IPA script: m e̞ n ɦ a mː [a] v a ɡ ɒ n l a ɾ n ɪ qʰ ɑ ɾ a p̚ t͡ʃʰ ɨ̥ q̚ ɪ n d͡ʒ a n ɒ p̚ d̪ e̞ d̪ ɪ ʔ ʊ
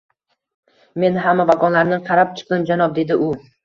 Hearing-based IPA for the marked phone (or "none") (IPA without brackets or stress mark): a